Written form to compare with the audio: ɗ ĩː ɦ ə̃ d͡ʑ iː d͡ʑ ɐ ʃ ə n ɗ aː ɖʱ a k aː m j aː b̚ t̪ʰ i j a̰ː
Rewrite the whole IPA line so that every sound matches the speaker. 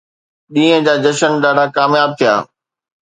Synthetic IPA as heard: ɗ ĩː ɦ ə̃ d͡ʑ aː d͡ʑ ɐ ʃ ə n ɗ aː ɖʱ a k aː m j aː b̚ t̪ʰ i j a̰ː